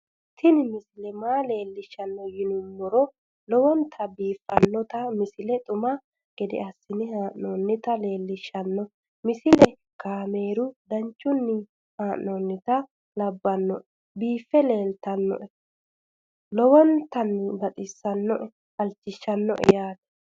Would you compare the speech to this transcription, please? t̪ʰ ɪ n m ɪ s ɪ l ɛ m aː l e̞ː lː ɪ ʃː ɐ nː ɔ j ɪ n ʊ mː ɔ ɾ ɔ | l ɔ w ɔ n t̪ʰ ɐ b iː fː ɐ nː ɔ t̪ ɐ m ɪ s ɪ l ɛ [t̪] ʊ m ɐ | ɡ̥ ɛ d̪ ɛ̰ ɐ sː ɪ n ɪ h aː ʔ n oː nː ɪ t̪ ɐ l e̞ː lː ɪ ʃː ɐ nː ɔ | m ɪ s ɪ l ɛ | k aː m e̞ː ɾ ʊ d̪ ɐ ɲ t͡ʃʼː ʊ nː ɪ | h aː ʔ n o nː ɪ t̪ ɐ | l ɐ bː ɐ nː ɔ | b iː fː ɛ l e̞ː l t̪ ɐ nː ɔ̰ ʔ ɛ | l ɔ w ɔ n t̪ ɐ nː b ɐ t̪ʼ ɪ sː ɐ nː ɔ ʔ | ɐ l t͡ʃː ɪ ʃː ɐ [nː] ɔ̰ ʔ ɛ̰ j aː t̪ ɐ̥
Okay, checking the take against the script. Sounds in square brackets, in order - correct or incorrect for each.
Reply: incorrect: t̪ʼ, correct

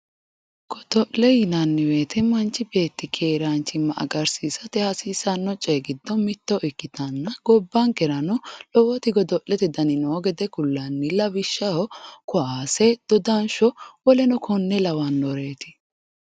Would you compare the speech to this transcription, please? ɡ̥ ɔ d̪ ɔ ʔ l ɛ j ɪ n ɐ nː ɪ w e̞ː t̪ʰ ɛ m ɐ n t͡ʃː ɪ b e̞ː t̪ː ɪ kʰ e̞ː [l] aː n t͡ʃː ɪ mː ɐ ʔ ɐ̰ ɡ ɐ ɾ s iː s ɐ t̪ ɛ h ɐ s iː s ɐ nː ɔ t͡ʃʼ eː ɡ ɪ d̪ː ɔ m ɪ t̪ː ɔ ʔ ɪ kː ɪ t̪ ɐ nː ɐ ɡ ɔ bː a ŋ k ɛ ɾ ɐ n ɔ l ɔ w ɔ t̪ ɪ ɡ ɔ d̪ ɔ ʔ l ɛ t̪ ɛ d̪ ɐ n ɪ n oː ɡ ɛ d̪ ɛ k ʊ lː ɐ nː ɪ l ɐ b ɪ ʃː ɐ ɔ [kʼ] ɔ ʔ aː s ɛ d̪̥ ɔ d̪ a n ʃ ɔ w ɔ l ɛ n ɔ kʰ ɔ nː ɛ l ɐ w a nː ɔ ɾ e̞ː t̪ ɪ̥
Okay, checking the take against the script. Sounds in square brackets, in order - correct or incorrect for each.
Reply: incorrect: ɾ, incorrect: k

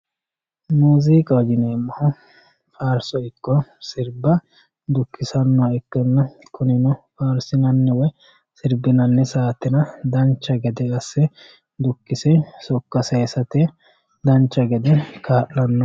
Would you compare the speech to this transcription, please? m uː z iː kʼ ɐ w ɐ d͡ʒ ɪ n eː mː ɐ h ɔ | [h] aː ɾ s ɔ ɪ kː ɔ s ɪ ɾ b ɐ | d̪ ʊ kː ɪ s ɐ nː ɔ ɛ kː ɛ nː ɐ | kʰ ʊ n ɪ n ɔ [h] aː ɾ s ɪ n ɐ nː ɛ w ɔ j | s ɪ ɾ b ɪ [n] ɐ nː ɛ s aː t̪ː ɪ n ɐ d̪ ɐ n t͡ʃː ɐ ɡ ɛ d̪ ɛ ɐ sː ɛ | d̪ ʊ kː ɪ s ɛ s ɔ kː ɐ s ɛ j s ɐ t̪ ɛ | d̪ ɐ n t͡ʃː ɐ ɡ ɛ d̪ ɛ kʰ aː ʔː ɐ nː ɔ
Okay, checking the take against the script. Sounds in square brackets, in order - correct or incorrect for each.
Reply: incorrect: f, incorrect: f, correct

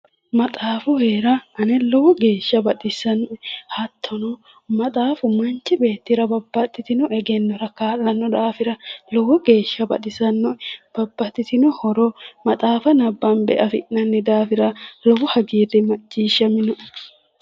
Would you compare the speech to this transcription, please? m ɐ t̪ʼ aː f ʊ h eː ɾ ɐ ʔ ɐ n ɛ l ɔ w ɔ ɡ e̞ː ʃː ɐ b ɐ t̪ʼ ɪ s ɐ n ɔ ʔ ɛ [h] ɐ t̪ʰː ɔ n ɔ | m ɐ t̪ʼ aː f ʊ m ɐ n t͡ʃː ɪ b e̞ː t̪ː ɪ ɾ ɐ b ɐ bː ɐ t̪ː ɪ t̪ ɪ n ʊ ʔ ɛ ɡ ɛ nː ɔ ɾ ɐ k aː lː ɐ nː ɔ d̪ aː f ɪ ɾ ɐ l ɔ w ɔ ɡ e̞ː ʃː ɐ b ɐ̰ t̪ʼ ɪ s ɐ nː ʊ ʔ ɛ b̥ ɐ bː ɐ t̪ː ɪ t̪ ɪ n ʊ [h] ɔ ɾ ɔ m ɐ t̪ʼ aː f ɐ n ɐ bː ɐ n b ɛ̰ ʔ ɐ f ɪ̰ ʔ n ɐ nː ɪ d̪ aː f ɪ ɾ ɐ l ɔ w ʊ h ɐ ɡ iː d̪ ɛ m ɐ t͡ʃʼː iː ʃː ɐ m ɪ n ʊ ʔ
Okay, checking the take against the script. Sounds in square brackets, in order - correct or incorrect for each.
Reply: correct, correct

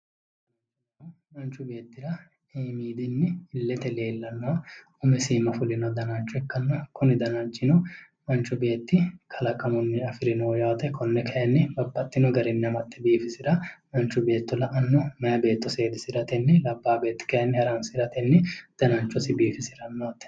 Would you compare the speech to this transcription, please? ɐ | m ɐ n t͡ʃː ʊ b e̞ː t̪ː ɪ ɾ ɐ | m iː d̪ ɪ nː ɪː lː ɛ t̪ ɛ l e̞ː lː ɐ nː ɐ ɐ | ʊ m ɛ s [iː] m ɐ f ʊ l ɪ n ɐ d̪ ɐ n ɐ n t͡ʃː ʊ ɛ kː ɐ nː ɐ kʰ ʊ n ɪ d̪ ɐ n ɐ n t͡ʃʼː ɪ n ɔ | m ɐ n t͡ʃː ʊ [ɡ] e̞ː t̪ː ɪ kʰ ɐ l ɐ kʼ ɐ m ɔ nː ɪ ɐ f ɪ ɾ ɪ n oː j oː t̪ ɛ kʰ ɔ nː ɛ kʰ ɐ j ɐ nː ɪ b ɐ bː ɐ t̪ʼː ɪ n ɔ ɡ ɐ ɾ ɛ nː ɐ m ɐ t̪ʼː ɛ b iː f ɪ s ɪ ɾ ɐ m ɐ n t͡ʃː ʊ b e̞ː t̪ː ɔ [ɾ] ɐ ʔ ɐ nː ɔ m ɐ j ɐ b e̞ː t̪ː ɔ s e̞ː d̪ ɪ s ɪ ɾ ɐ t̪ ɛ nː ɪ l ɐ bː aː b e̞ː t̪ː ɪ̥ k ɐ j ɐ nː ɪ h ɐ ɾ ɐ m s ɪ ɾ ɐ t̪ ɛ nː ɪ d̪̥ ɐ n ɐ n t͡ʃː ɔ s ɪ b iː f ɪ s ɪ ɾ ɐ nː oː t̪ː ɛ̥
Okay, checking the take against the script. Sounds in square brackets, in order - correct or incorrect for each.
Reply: correct, incorrect: b, incorrect: l

